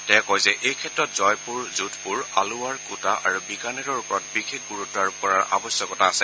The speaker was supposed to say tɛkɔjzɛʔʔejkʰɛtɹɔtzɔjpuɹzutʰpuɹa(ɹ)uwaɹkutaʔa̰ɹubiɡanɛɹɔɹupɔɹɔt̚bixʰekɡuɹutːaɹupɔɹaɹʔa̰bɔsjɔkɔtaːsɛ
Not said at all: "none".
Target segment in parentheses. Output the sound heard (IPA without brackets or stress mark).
l